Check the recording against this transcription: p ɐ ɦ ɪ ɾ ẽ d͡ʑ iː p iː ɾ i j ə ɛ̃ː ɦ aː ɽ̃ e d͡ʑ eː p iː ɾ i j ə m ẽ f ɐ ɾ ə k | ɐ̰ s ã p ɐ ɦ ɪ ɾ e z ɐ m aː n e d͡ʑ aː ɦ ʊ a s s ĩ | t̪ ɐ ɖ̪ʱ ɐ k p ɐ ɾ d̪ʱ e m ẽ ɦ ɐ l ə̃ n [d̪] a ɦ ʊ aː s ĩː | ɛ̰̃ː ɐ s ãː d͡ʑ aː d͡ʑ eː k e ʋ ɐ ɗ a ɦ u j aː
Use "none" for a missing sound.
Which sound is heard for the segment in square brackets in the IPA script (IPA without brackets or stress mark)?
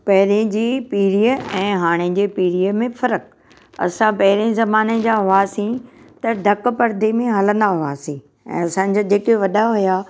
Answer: d̪